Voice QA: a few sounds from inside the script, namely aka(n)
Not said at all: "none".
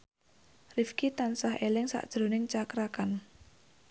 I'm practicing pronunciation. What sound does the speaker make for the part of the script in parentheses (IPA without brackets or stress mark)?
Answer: n